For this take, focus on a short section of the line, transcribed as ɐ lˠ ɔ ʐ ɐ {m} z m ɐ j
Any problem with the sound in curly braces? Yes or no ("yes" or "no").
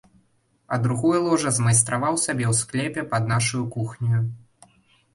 yes